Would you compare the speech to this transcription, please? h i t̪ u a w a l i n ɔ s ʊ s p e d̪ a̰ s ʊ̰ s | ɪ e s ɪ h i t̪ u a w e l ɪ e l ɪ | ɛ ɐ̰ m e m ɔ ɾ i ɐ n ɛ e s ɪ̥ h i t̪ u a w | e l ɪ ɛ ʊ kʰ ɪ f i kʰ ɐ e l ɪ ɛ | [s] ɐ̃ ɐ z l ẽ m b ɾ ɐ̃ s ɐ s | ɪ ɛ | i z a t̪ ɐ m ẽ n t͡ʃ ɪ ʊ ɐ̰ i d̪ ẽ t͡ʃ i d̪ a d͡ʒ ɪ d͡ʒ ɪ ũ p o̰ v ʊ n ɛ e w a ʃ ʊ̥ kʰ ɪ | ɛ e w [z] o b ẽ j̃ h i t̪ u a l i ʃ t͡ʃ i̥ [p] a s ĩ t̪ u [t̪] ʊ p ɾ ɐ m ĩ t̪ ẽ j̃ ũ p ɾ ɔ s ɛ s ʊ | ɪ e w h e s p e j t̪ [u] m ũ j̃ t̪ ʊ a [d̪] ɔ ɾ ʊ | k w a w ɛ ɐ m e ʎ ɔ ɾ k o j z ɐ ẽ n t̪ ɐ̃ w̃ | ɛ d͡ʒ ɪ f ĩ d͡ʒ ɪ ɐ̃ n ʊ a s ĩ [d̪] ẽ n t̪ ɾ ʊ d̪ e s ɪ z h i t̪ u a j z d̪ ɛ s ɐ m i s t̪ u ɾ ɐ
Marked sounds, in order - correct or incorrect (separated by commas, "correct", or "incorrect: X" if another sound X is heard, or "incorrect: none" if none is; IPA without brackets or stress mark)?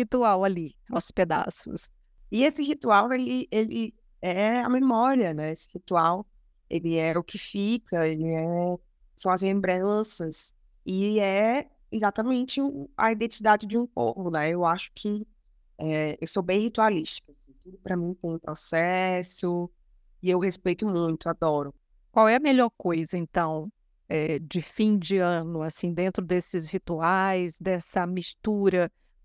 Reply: correct, incorrect: s, incorrect: k, incorrect: d̪, incorrect: ʊ, correct, correct